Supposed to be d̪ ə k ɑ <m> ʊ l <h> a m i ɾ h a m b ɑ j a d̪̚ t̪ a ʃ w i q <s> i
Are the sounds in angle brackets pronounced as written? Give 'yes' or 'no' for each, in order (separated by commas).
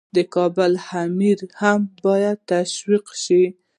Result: no, yes, no